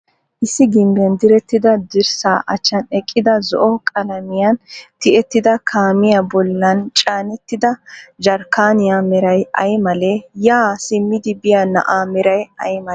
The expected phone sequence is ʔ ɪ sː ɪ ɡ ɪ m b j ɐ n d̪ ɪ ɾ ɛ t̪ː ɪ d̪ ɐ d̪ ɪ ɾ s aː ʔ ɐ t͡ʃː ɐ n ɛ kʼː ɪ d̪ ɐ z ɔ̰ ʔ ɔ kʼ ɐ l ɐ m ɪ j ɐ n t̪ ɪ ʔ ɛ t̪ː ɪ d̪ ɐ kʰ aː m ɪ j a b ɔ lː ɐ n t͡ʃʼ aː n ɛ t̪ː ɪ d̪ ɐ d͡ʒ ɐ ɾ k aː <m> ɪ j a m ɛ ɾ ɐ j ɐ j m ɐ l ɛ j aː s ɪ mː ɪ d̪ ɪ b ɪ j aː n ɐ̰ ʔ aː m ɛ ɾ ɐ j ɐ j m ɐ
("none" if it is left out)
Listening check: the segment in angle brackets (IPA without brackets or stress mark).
n